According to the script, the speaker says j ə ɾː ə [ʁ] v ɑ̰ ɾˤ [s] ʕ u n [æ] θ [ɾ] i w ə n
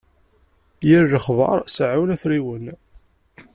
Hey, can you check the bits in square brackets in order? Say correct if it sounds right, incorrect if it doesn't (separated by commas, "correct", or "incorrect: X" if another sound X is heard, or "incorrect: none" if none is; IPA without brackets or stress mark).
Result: incorrect: χ, correct, correct, correct